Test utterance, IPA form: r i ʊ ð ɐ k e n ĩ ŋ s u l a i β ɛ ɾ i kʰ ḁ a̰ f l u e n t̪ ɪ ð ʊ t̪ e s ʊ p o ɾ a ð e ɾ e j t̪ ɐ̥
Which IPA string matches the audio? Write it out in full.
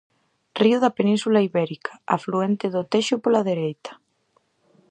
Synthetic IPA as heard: r i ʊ ð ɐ p e n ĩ n s u l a i β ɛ ɾ i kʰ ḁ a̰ f l u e n t̪ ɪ ð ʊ t̪ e ʃ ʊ p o l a ð e ɾ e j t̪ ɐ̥